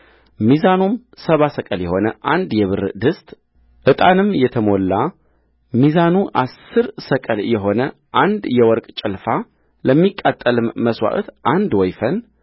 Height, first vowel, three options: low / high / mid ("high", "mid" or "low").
high